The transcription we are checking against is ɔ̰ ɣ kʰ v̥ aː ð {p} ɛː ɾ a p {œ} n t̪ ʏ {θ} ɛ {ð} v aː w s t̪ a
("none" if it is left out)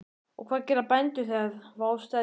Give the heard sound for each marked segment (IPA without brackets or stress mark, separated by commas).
c, ɛ, θ, ð